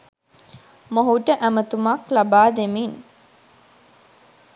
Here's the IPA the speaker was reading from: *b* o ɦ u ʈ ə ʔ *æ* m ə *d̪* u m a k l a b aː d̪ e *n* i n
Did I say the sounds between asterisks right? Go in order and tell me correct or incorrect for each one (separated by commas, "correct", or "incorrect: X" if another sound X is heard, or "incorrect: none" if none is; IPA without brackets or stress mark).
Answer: incorrect: m, correct, incorrect: t̪, incorrect: m